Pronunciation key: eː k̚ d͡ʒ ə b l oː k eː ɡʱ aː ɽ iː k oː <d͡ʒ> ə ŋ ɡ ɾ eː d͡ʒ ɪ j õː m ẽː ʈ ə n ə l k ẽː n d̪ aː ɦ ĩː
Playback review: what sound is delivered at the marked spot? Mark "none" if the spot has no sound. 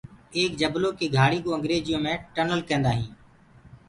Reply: none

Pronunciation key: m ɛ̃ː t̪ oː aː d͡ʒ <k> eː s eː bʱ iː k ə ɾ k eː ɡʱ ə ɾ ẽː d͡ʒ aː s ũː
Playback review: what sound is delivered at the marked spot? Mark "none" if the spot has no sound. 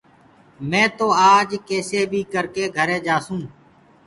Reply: k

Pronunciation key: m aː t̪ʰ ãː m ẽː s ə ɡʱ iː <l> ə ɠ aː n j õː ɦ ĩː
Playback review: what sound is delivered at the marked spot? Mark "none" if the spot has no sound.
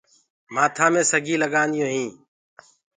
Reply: l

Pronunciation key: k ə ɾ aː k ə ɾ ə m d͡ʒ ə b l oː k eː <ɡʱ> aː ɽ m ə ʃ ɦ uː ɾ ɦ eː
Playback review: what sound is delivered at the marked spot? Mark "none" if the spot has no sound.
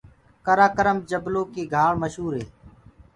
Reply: ɡʱ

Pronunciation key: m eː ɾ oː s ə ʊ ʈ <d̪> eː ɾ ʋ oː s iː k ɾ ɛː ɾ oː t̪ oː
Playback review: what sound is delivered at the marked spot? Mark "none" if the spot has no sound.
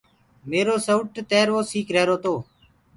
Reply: t̪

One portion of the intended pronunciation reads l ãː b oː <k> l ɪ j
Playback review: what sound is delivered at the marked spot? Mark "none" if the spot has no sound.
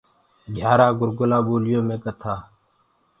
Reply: none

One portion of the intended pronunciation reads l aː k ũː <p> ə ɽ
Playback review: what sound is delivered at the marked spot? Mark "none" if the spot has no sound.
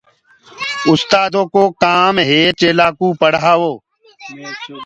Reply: p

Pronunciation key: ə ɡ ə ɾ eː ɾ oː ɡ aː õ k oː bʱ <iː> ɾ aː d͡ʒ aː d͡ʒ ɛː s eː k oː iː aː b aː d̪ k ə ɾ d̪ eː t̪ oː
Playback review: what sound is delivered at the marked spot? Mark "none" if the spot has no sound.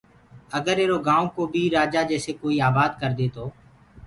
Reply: iː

